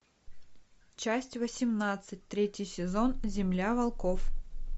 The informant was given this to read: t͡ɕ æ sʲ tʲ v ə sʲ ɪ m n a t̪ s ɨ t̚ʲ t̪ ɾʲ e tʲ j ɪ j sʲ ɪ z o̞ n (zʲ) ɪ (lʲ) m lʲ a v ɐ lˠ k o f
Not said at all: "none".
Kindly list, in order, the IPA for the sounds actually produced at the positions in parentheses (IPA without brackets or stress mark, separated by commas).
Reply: zʲ, none